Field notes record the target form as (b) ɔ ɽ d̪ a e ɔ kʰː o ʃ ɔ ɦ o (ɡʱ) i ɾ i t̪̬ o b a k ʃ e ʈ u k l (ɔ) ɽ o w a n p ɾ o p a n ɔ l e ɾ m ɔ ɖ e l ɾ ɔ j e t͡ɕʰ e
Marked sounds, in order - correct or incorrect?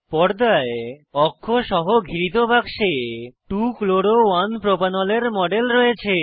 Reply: incorrect, correct, incorrect

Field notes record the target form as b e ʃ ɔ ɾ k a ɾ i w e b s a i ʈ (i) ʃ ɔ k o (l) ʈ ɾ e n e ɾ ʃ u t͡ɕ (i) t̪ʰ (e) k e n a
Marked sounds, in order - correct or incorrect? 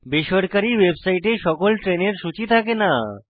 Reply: incorrect, correct, correct, incorrect

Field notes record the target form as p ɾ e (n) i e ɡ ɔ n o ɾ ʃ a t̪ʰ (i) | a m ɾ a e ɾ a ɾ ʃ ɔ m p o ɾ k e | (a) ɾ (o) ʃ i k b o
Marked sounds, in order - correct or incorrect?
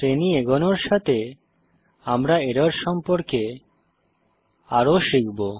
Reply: correct, incorrect, correct, correct

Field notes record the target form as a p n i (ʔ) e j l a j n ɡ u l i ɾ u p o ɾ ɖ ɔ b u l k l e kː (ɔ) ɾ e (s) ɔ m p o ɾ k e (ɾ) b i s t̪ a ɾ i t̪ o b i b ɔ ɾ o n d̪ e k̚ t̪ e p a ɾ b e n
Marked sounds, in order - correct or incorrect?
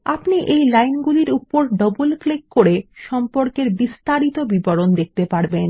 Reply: correct, incorrect, incorrect, correct

